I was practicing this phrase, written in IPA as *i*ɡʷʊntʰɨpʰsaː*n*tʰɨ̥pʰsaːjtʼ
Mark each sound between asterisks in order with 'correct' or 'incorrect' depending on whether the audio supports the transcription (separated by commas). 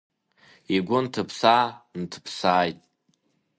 correct, correct